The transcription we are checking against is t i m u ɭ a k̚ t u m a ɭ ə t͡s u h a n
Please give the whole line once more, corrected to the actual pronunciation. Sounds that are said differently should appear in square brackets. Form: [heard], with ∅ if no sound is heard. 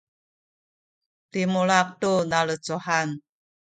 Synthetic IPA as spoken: t i m u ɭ a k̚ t u [n] a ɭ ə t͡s u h a n